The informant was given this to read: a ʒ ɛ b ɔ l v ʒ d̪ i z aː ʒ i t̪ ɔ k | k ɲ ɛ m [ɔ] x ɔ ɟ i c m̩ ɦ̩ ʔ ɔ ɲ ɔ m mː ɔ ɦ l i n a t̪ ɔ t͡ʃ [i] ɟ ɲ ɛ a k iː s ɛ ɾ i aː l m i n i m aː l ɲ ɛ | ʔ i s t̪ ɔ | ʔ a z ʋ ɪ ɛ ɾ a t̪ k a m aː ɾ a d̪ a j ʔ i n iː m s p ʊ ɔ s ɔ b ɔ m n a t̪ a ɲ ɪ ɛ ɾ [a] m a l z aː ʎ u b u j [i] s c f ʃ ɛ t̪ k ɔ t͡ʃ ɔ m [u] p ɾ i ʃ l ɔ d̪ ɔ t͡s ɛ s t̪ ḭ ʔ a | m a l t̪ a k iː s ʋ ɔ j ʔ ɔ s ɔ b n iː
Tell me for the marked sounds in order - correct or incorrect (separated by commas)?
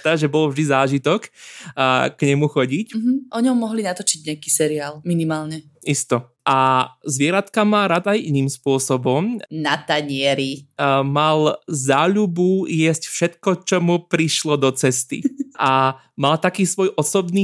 incorrect, correct, incorrect, incorrect, correct